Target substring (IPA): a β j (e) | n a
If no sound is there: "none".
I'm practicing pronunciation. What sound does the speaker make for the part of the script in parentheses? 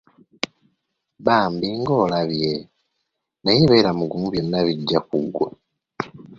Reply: e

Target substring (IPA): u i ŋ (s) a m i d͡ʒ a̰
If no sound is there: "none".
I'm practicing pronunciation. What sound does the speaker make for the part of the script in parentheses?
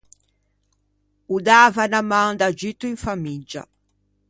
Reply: f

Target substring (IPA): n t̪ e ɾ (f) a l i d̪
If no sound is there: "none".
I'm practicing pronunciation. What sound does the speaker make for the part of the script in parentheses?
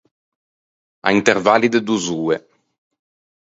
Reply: v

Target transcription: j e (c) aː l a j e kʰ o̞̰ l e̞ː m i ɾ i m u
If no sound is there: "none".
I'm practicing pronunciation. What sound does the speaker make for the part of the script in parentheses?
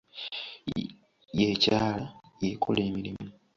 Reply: c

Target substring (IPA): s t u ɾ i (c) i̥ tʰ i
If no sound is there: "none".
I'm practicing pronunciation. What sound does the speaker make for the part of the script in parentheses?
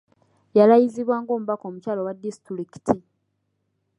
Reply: k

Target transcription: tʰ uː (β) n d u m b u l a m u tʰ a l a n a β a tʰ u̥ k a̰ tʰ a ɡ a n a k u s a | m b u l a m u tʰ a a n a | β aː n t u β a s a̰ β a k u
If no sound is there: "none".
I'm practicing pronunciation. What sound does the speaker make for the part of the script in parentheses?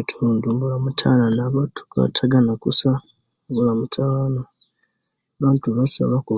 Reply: none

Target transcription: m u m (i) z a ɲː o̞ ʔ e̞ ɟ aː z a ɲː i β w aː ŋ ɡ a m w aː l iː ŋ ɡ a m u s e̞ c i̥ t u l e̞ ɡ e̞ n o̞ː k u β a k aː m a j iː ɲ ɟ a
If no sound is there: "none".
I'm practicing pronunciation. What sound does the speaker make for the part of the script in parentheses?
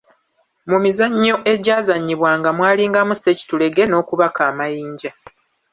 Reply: i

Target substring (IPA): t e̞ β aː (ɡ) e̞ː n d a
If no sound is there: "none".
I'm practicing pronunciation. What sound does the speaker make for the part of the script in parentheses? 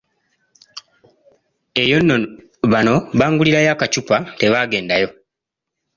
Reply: ɡ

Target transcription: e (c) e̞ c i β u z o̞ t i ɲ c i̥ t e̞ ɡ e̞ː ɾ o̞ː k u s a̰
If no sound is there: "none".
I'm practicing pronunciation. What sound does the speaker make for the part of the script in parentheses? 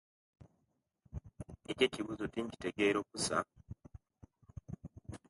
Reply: c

